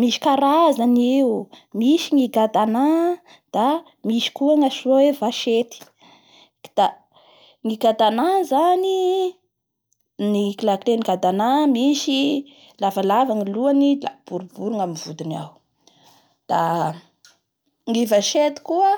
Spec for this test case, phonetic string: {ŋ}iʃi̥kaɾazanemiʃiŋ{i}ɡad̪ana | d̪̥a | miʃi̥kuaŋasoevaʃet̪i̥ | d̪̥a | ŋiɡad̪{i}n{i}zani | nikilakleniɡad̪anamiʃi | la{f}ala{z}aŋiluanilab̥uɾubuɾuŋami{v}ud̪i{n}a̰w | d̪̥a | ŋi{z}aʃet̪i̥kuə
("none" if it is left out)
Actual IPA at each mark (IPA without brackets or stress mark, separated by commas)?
m, i, a, a, v, v, v, n, v